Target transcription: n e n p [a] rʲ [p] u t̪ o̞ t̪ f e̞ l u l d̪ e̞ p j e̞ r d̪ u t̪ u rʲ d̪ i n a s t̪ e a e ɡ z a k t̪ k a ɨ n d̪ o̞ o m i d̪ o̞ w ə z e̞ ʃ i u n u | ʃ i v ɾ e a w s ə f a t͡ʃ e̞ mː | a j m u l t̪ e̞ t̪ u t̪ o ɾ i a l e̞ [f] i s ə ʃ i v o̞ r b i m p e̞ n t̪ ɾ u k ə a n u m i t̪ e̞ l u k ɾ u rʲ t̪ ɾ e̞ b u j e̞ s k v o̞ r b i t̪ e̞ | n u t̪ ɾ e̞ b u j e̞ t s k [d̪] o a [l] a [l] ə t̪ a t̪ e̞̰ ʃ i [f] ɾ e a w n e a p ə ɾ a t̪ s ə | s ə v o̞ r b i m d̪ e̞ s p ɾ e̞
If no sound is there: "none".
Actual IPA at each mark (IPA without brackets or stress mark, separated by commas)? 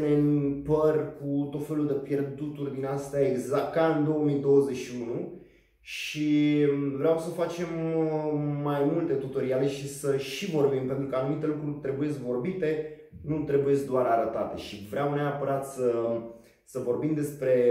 ə, k, ʃ, d̪, ɾ, ɾ, v